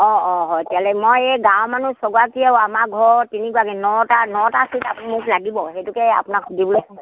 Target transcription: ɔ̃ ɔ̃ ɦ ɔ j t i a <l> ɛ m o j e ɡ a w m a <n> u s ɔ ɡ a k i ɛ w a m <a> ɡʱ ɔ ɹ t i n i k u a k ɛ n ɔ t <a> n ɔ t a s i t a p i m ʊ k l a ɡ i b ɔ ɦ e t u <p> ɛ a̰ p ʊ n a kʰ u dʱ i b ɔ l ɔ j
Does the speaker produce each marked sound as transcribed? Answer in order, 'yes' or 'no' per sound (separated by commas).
yes, yes, yes, yes, no